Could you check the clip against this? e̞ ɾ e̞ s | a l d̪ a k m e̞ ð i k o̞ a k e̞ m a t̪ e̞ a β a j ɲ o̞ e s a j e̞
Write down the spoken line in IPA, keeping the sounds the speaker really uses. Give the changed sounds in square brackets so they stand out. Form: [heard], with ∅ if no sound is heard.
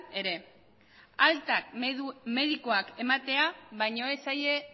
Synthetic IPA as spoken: e̞ ɾ e̞ [∅] | a l [t̪] a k m e̞ ð i k o̞ a k e̞ m a t̪ e̞ a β a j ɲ o̞ e s a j e̞